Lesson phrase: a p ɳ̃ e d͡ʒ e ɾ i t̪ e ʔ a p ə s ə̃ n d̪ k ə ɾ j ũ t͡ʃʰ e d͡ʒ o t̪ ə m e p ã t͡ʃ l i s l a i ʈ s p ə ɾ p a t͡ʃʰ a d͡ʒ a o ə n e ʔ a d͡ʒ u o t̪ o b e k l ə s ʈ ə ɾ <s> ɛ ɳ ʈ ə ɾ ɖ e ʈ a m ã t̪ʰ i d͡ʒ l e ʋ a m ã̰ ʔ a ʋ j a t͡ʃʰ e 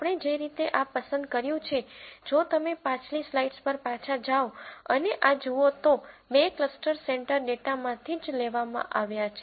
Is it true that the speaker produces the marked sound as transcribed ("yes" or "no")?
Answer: yes